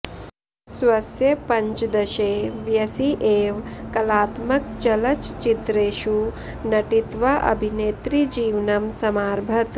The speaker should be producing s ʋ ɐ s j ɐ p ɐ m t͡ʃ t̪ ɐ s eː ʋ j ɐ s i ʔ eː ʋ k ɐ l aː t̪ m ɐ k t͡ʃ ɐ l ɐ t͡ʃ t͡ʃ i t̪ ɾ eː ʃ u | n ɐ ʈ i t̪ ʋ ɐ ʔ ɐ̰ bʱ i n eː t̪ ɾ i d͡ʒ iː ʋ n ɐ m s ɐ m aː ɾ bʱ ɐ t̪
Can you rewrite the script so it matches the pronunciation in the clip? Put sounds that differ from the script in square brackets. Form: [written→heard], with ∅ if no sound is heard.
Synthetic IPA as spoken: s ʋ ɐ s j ɐ p ɐ [m→ɲ] t͡ʃ [t̪→d̪] ɐ [s→ʃ] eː ʋ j ɐ s i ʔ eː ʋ k ɐ l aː t̪ m ɐ k t͡ʃ ɐ l ɐ t͡ʃ t͡ʃ i t̪ ɾ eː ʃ u | n ɐ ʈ i t̪ ʋ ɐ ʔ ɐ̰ bʱ i n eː t̪ ɾ i d͡ʒ iː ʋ n ɐ m s ɐ m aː ɾ bʱ ɐ t̪